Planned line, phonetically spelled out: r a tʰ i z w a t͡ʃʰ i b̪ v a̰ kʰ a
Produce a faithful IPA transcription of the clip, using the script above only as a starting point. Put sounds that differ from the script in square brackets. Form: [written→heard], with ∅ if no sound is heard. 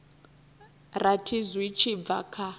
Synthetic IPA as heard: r a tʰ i z w [a→i] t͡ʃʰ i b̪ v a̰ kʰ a

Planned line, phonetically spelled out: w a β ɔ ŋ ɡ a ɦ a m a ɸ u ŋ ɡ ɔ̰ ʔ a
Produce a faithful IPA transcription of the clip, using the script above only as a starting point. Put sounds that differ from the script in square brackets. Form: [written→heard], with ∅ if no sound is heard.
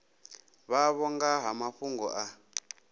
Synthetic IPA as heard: [w→β] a β ɔ ŋ ɡ a ɦ a m a ɸ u ŋ ɡ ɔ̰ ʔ a

